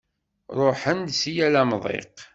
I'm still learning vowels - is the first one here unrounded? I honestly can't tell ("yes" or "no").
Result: no